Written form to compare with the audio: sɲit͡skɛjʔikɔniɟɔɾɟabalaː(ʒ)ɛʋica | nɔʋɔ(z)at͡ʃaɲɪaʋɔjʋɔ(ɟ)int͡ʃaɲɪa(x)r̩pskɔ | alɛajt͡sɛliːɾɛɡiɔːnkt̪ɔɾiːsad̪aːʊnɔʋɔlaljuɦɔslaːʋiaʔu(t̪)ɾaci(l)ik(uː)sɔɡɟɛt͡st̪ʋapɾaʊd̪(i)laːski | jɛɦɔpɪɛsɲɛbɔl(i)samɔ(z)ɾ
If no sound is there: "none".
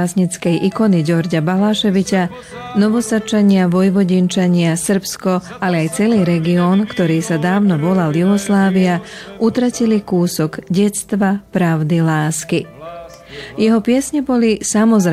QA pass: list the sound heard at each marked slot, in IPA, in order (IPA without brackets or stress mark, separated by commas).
ʃ, s, ɟ, s, t̪, l, uː, i, i, z